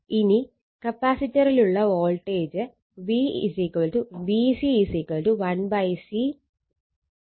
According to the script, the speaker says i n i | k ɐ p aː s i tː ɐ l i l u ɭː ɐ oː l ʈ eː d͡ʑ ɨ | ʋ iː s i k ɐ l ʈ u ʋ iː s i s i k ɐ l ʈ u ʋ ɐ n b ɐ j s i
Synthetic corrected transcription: i n i | k ɐ p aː s i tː ɐ ɾ i l u ɭː ɐ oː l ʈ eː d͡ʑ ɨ | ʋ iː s i k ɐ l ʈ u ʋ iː s i s i k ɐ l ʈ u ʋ ɐ n b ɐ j s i